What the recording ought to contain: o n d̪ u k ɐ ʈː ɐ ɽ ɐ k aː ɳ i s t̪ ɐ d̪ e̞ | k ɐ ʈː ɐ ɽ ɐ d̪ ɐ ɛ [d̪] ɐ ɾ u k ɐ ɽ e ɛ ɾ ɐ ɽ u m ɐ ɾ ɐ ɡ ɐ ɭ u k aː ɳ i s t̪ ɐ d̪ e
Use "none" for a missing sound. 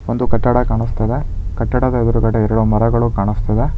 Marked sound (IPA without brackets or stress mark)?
d̪